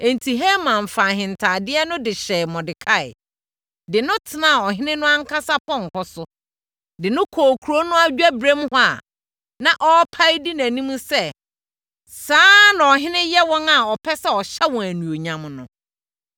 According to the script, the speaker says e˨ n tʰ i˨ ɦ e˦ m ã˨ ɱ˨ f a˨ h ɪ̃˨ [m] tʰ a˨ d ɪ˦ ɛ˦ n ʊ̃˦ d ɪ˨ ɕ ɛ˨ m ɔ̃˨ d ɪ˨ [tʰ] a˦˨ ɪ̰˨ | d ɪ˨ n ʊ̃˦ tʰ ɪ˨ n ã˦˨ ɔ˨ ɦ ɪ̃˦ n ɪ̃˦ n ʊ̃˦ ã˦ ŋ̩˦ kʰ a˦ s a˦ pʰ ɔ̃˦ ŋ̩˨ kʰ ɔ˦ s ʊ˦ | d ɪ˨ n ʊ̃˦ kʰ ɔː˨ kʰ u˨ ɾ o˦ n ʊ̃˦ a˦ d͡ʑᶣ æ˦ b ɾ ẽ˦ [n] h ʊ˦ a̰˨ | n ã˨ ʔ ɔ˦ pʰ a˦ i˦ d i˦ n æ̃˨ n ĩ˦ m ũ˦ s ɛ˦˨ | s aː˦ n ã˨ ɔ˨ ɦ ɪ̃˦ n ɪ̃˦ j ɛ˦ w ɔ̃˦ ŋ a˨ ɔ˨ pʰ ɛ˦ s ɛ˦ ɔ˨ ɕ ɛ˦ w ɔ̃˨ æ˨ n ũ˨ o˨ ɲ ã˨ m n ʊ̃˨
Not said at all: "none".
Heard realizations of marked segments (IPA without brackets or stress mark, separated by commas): n, kʰ, m